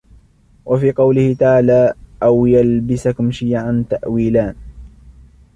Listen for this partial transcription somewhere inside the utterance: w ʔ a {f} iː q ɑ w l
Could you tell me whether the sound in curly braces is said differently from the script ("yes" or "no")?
no